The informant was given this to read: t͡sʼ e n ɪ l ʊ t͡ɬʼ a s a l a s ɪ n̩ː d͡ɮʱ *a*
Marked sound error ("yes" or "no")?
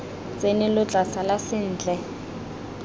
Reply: yes